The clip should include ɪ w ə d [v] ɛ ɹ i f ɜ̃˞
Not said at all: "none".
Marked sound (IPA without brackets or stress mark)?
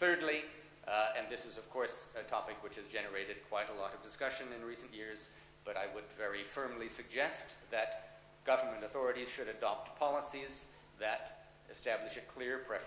v